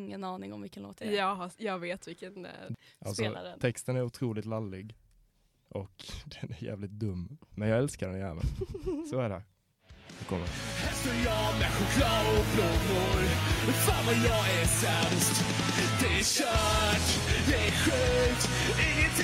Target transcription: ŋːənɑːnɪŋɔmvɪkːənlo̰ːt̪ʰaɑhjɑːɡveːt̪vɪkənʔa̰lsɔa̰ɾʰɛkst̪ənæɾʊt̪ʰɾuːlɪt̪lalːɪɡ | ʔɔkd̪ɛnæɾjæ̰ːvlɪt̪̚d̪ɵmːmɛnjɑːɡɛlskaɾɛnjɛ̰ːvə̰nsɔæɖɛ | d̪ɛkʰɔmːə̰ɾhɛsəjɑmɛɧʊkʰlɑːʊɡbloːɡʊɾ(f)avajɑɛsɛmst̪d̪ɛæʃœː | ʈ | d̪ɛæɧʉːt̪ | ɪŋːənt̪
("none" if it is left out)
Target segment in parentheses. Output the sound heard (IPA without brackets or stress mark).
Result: f